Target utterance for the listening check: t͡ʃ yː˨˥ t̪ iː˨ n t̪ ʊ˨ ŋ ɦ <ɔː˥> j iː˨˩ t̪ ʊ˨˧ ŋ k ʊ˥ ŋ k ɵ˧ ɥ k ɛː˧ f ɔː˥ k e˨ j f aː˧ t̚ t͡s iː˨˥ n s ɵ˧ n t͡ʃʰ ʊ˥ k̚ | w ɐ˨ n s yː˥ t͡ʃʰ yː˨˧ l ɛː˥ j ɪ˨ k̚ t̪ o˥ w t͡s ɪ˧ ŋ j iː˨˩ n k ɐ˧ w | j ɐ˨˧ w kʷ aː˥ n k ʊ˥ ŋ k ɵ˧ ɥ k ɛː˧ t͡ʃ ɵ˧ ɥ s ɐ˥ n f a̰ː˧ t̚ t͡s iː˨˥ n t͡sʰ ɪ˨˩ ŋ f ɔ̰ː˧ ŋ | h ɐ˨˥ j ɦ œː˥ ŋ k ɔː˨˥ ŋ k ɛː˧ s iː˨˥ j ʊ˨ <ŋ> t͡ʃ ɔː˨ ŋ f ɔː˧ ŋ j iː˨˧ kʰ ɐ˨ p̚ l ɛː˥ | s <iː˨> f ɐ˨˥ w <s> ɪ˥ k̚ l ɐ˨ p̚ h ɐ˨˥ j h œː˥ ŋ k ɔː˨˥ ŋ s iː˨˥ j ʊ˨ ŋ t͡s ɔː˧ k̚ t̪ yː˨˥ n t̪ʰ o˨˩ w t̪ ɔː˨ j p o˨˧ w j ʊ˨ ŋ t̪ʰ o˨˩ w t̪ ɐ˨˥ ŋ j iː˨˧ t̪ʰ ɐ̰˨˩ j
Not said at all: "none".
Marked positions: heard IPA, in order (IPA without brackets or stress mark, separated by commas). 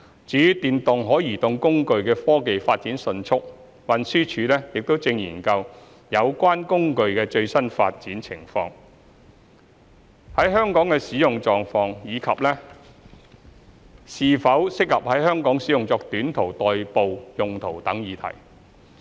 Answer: ɔː˨˥, ŋ, iː˨, s